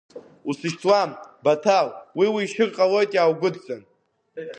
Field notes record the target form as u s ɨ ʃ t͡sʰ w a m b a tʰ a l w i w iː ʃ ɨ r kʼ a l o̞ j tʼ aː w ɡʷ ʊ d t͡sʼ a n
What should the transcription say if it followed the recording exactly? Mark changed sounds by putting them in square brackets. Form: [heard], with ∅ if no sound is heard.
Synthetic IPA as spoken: u s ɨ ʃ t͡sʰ w a m b a tʰ a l w i w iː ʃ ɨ r [qʼ] a l o̞ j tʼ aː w ɡʷ ʊ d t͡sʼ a n